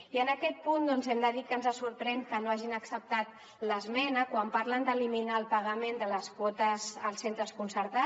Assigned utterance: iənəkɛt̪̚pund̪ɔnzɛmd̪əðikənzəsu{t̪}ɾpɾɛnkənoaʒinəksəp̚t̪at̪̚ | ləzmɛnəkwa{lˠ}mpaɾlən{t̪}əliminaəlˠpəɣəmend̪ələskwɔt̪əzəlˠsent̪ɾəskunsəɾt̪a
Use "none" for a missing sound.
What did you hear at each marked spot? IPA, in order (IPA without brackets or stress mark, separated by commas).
none, none, d̪